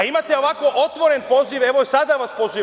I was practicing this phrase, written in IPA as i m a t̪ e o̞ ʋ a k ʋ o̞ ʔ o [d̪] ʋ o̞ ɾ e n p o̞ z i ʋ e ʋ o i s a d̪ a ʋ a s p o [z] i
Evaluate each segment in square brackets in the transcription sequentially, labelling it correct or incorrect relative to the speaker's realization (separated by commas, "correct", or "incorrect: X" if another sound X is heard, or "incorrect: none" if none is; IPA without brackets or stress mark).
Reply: incorrect: t̪, correct